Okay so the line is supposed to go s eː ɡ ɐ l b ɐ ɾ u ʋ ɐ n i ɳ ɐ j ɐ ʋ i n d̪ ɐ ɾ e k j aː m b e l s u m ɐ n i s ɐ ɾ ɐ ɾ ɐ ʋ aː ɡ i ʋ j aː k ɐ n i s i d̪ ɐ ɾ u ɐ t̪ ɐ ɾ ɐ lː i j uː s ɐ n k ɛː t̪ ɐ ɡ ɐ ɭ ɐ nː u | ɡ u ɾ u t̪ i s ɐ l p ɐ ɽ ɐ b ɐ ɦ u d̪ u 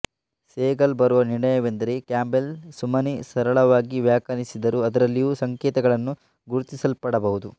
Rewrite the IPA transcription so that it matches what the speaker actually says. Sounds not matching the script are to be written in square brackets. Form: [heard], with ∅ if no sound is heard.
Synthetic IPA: s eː ɡ ɐ l b ɐ ɾ u ʋ ɐ n i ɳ ɐ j ɐ ʋ [e] n d̪ ɐ ɾ e k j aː m b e l s u m ɐ n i s ɐ ɾ ɐ [ɭ] ɐ ʋ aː ɡ i ʋ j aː k ɐ n i s i d̪ ɐ ɾ u ɐ [d̪] ɐ ɾ ɐ lː i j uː s ɐ [ŋ] k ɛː t̪ ɐ ɡ ɐ ɭ ɐ nː u | ɡ u ɾ u t̪ i s ɐ l p ɐ ɽ ɐ b ɐ ɦ u d̪ u